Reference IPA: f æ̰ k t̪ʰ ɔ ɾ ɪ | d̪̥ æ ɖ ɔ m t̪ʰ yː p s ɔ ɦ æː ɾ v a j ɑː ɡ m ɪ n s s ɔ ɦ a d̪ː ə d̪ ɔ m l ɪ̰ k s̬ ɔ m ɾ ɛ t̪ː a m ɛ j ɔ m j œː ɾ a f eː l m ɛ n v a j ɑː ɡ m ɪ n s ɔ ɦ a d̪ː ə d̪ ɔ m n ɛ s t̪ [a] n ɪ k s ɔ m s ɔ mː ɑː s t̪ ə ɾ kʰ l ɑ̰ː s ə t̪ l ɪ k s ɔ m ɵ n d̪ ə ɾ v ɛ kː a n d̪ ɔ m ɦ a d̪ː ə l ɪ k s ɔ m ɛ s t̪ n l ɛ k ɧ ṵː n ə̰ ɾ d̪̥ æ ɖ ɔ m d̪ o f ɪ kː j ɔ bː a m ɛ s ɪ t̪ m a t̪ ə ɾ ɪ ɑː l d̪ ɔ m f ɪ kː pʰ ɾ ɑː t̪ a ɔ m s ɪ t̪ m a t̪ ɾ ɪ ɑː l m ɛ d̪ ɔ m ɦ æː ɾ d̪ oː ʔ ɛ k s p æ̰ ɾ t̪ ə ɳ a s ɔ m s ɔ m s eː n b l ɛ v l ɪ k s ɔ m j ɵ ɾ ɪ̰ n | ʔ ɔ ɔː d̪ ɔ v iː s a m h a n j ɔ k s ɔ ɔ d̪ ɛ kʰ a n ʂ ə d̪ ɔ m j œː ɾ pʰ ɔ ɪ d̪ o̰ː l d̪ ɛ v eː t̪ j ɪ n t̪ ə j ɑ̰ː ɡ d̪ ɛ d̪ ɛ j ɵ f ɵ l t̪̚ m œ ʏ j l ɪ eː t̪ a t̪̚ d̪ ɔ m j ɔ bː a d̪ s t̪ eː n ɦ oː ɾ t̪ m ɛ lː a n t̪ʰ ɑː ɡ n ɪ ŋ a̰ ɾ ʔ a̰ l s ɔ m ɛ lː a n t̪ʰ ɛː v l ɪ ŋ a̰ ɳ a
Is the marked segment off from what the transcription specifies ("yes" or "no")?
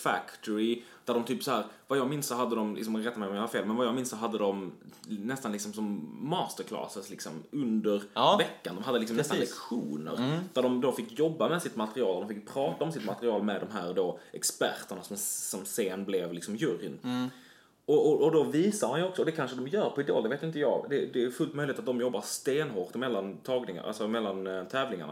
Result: no